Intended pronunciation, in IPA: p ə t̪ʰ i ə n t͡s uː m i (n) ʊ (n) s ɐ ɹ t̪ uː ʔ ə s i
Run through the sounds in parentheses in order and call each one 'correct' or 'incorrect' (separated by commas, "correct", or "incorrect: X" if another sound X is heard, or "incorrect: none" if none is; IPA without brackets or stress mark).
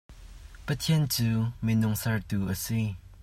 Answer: correct, incorrect: ŋ